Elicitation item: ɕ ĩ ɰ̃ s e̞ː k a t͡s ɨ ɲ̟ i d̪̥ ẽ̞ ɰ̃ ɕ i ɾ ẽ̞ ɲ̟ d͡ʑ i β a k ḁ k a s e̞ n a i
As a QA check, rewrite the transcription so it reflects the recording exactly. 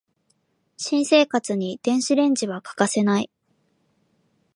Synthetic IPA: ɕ ĩ ɰ̃ s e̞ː k a t͡s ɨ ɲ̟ i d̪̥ ẽ̞ ɰ̃ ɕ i ɾ ẽ̞ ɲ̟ d͡ʑ i β a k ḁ k a s e̞ n a i